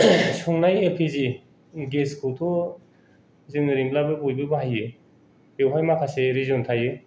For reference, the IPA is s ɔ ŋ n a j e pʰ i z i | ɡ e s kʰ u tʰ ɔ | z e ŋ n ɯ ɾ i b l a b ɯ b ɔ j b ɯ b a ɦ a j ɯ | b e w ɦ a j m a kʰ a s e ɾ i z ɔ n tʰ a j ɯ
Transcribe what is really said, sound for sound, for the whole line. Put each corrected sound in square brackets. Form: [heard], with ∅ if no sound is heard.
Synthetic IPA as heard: s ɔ ŋ n a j e pʰ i z i | ɡ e s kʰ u tʰ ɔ | z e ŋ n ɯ ɾ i [m] l a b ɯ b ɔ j b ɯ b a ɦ a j ɯ | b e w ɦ a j m a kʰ a s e ɾ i z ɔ n tʰ a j ɯ

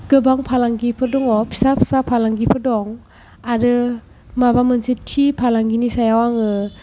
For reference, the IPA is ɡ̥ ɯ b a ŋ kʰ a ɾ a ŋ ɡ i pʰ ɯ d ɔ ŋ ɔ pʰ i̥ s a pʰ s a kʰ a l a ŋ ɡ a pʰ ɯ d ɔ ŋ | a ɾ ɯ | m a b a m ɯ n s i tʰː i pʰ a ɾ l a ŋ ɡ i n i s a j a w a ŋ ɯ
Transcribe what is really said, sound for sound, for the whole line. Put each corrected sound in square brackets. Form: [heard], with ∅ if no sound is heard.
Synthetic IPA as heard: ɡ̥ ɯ b a ŋ [pʰ] a [l] a ŋ ɡ i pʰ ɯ d ɔ ŋ ɔ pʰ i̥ s a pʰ s a [pʰ] a l a ŋ ɡ [i] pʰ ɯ d ɔ ŋ | a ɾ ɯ | m a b a m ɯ n s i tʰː i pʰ a [∅] l a ŋ ɡ i n i s a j a w a ŋ ɯ

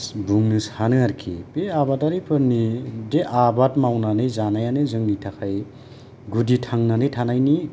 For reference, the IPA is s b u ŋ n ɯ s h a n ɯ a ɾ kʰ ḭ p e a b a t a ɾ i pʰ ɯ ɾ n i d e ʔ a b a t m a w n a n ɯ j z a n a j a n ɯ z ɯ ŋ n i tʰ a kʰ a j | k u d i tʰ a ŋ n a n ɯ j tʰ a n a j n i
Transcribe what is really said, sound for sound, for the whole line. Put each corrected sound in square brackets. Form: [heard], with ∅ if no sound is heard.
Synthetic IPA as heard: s b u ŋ n ɯ s h a n ɯ a ɾ kʰ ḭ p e a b a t a ɾ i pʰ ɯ ɾ n i d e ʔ a b a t m a w n a n ɯ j z a n a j a n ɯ z ɯ ŋ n i tʰ a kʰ a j | [ɡ] u d i tʰ a ŋ n a n ɯ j tʰ a n a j n i

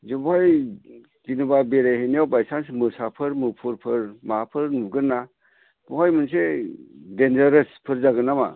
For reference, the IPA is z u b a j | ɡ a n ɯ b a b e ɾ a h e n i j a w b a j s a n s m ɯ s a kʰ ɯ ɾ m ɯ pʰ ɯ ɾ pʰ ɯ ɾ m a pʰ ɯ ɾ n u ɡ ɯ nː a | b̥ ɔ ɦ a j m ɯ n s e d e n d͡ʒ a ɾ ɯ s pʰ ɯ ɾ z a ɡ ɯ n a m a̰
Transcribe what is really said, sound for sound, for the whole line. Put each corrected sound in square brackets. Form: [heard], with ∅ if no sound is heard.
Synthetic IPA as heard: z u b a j | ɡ [i] n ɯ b a b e ɾ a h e n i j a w b a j s a n s m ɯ s a [pʰ] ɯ ɾ m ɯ pʰ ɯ ɾ pʰ ɯ ɾ m a pʰ ɯ ɾ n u ɡ ɯ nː a | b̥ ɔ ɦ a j m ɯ n s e d e n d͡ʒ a ɾ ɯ s pʰ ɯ ɾ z a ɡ ɯ n a m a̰

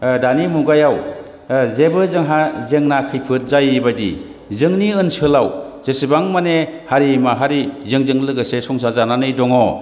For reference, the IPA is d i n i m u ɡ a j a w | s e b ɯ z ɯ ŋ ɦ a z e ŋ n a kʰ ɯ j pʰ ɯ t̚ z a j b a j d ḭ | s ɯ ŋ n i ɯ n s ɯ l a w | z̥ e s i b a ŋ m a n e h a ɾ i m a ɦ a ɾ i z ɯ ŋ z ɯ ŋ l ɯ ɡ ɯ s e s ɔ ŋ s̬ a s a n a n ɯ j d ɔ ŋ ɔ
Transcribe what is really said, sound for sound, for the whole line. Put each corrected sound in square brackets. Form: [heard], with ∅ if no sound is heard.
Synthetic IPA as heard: d [a] n i m u ɡ a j a w | [z] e b ɯ z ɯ ŋ ɦ a z e ŋ n a kʰ ɯ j pʰ ɯ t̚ z a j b a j d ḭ | [z] ɯ ŋ n i ɯ n s ɯ l a w | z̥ e s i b a ŋ m a n e h a ɾ i m a ɦ a ɾ i z ɯ ŋ z ɯ ŋ l ɯ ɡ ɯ s e s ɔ ŋ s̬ a [z] a n a n ɯ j d ɔ ŋ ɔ

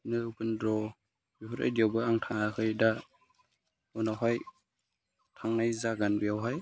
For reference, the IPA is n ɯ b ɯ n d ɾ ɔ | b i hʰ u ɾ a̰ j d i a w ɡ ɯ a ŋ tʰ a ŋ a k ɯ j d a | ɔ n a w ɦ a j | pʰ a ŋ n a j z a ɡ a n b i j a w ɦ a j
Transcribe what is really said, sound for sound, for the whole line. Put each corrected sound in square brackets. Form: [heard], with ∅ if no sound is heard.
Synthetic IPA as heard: n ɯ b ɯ n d ɾ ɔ | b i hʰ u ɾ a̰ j d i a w [b] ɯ a ŋ tʰ a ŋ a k ɯ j d a | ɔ n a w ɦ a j | [tʰ] a ŋ n a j z a ɡ a n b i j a w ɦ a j

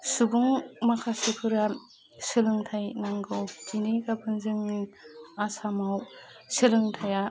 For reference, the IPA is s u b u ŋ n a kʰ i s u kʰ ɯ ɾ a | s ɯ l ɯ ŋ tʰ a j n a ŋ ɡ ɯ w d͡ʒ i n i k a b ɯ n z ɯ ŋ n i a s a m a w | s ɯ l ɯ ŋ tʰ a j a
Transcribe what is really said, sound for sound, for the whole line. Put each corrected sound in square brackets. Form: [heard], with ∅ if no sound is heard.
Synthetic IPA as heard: s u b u ŋ [m] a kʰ [a] s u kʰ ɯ ɾ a | s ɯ l ɯ ŋ tʰ a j n a ŋ ɡ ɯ w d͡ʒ i n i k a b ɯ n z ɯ ŋ n i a s a m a w | s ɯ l ɯ ŋ tʰ a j a

